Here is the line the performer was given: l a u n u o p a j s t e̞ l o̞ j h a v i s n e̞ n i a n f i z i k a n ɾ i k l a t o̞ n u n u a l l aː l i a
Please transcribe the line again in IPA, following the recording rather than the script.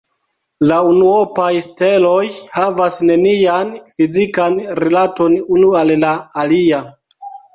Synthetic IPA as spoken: l a u n u o p a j s t e̞ l o̞ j h a v a s n e̞ n i a n f i z i k a n ɾ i l a t o̞ n u n u a l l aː l i a